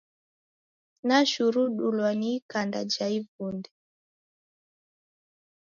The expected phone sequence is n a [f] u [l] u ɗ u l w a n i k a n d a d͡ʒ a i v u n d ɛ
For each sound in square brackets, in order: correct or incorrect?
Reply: incorrect: ʃ, incorrect: ɾ

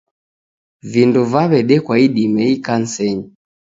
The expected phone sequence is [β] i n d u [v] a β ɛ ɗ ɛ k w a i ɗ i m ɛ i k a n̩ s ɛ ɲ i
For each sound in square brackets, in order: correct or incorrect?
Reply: incorrect: v, correct

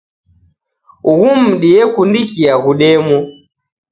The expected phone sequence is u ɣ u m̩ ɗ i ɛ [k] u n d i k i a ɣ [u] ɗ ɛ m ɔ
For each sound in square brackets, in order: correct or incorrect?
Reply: correct, correct

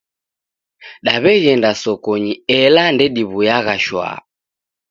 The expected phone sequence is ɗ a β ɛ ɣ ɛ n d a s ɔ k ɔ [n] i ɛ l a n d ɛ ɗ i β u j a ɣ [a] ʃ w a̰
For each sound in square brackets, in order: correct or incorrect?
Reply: incorrect: ɲ, correct

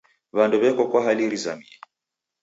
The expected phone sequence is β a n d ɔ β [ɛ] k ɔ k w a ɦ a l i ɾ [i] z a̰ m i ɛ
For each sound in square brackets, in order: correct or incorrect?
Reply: correct, correct

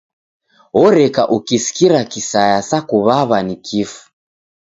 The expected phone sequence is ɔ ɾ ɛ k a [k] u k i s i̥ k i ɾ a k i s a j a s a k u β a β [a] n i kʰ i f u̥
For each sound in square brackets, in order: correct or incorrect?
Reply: incorrect: ʔ, correct

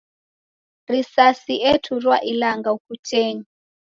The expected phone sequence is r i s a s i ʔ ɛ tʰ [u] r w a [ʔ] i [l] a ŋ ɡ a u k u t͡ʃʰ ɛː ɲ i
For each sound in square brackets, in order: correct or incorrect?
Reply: correct, correct, correct

